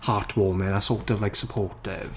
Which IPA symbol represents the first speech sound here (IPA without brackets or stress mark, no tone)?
h